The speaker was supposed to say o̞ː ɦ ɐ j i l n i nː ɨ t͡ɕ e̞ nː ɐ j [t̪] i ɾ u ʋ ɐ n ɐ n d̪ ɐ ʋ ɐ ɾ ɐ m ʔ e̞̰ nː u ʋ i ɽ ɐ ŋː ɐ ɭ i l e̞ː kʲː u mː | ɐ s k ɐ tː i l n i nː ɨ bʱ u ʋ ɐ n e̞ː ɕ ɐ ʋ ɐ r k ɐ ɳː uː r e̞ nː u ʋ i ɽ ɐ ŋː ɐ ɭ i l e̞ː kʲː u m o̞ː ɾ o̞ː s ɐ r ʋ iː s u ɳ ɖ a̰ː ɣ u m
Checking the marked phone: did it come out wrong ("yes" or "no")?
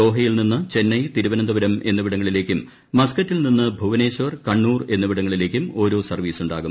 no